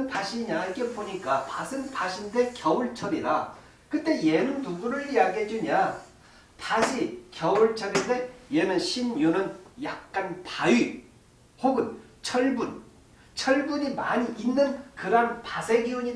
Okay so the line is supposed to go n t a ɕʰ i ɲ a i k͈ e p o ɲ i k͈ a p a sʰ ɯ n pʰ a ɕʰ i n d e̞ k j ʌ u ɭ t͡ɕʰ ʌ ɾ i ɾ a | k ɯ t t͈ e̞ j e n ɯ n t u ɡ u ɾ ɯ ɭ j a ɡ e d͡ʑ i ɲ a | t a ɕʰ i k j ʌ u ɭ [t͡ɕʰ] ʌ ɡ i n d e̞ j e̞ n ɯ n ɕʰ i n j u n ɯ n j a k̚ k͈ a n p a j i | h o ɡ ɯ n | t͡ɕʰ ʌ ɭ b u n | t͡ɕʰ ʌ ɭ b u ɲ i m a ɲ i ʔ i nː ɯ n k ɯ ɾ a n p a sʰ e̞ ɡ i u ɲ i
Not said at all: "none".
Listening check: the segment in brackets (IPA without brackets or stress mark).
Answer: t͡ɕʰ